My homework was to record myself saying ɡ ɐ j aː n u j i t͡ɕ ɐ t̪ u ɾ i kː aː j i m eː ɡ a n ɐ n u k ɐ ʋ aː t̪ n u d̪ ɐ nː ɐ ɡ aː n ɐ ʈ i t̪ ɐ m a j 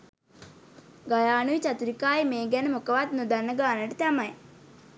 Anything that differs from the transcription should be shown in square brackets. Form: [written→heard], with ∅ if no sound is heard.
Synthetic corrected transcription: ɡ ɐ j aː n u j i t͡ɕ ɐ t̪ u ɾ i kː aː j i m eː ɡ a n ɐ [n→m] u k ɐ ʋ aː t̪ n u d̪ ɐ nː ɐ ɡ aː n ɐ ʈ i t̪ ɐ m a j